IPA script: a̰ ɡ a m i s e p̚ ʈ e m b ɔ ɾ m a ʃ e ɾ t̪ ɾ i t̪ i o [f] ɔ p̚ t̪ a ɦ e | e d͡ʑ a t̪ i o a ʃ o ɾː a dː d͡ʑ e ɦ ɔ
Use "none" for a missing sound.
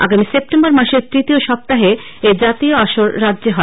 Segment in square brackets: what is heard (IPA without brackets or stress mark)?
ʃ